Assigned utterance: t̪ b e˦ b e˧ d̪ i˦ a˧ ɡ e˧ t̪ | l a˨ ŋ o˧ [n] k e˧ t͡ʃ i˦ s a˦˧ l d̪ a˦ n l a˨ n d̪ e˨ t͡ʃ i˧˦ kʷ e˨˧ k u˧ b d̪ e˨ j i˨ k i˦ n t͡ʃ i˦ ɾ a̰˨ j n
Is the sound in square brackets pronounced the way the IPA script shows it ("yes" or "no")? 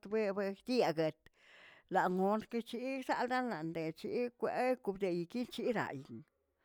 yes